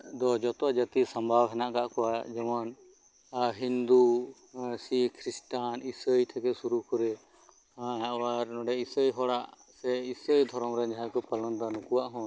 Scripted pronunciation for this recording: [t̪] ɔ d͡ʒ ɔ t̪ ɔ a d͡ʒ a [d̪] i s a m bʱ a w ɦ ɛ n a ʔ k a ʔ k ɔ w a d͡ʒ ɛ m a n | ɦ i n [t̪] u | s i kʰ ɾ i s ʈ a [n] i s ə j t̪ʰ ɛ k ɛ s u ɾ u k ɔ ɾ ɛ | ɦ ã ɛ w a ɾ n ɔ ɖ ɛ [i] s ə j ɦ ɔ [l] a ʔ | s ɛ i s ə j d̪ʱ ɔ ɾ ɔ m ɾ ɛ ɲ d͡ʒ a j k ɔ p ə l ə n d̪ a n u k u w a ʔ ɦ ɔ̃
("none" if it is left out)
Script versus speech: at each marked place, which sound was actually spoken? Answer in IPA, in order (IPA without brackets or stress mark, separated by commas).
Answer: d̪, t̪, d̪, n, i, ɽ